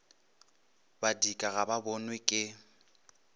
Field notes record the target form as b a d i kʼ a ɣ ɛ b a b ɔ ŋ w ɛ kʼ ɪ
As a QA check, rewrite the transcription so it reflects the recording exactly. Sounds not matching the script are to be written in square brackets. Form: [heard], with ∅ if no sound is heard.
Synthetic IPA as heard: b a d i kʼ a ɣ [a] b a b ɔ [n] w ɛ kʼ ɪ